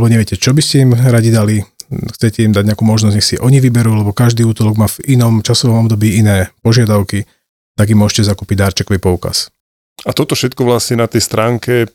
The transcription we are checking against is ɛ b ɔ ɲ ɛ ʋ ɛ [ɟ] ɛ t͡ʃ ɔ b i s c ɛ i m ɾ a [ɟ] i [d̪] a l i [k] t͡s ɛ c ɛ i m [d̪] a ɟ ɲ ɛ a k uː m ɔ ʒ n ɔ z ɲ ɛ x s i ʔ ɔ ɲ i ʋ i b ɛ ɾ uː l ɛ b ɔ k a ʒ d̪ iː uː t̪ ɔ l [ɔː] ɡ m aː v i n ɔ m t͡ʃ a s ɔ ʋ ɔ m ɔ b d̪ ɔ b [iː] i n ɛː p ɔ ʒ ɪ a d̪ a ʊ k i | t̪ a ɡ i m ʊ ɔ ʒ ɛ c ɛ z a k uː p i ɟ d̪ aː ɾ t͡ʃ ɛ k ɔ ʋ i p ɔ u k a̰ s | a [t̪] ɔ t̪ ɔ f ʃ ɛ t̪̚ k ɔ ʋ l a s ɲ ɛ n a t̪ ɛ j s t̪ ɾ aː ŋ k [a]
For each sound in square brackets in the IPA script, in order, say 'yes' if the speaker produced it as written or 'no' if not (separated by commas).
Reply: no, yes, yes, no, yes, no, yes, yes, no